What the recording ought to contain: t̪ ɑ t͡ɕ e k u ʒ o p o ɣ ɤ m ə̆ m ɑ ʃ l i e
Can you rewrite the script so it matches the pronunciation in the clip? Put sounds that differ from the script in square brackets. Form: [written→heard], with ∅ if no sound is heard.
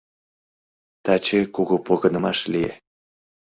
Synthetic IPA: t̪ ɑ t͡ɕ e k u [ʒ→ɣ] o p o ɣ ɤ [m→n] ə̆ m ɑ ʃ l i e